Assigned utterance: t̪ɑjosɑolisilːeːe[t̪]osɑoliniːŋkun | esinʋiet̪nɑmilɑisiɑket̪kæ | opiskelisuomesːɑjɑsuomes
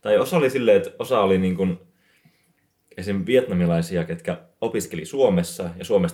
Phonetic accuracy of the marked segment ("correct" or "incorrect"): correct